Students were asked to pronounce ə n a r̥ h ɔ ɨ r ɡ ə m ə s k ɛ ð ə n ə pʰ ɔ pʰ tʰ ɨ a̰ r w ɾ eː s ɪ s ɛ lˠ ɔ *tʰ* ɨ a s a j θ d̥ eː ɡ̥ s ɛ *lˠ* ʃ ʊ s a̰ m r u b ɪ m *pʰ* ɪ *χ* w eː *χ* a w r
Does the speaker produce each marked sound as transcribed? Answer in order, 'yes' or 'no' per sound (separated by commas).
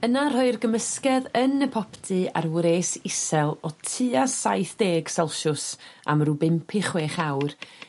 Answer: yes, yes, yes, yes, yes